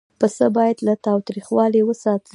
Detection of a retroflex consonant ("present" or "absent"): absent